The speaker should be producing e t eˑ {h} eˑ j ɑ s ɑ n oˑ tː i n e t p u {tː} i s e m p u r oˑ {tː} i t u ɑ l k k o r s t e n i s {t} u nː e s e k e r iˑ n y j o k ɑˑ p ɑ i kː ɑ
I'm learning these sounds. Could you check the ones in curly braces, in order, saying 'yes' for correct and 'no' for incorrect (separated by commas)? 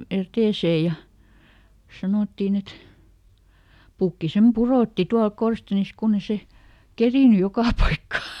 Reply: no, no, yes, no